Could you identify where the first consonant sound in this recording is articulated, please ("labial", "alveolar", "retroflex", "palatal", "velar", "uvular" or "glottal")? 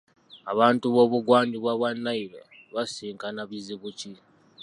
labial